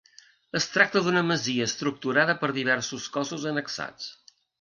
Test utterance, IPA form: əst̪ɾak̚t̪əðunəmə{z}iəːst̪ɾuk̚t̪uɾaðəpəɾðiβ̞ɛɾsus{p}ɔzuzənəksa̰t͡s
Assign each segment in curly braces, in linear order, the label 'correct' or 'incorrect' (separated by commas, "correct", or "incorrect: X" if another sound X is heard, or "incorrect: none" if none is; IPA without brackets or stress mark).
correct, incorrect: k